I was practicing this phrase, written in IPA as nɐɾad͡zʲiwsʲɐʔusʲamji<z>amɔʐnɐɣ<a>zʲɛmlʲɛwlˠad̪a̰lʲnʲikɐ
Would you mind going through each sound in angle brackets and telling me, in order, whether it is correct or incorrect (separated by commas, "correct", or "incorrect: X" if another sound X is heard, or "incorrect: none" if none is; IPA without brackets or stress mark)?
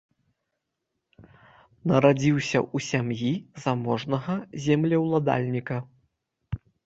correct, incorrect: ɐ